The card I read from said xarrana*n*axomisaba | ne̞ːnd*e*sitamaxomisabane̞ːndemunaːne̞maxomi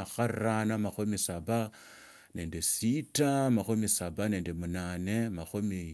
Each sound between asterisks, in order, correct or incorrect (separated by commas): incorrect, correct